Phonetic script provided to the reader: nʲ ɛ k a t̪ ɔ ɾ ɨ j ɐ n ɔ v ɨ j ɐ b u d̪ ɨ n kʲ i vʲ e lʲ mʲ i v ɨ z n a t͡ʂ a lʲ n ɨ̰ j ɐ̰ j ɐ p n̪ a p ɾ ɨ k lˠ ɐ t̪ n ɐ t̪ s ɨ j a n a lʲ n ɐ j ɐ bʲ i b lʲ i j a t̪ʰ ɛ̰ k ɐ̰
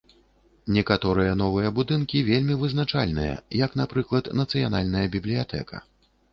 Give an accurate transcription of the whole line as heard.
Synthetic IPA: nʲ ɛ k a t̪ ɔ ɾ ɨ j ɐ n ɔ v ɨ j ɐ b u d̪ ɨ n kʲ i vʲ e lʲ mʲ i v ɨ z n a t͡ʂ a lʲ n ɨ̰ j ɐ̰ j ɐ k n̪ a p ɾ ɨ k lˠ ɐ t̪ n ɐ t̪ s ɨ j a n a lʲ n ɐ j ɐ bʲ i b lʲ i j a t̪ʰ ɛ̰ k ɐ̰